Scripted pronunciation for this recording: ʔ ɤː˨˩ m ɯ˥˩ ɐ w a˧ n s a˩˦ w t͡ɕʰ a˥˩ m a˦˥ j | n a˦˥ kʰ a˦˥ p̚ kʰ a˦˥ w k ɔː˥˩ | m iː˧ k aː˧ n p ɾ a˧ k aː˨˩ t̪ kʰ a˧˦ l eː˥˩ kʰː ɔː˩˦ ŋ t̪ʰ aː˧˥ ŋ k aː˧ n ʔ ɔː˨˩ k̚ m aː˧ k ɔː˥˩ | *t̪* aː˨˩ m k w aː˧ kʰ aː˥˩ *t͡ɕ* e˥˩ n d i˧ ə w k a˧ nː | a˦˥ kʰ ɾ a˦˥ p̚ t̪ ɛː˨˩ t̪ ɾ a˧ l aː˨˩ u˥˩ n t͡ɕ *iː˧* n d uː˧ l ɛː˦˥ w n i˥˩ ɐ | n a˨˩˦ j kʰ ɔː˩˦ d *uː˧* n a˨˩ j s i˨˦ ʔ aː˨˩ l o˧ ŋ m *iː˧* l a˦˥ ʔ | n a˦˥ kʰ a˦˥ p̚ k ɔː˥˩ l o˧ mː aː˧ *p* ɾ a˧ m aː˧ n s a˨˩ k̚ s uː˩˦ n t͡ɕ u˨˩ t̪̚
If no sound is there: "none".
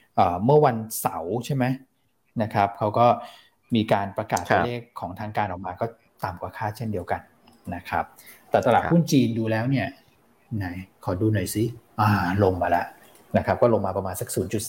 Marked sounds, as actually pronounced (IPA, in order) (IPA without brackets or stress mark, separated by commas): t̪, t͡ɕʰ, iː˧, uː˧, aː˧, p